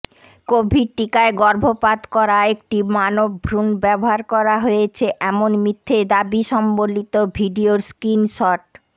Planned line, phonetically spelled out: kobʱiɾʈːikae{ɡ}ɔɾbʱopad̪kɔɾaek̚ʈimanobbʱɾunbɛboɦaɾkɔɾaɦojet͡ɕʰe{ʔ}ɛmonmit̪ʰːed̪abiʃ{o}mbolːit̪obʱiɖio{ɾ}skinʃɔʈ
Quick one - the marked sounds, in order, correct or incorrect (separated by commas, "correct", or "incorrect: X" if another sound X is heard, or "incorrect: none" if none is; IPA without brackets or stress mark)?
correct, correct, incorrect: ɔ, correct